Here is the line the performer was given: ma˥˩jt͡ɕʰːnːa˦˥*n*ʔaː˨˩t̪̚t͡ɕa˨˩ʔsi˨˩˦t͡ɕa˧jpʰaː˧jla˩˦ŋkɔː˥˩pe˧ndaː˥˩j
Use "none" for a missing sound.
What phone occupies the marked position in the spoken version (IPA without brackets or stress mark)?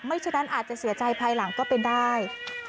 n